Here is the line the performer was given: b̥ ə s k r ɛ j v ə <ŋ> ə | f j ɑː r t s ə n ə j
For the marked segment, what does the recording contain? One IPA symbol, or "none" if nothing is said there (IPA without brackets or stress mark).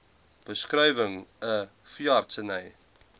ŋ